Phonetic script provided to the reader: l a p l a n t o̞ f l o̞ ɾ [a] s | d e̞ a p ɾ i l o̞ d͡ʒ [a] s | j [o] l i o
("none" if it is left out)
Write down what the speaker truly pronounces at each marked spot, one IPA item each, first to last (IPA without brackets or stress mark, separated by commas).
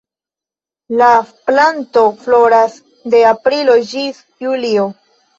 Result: a, i, u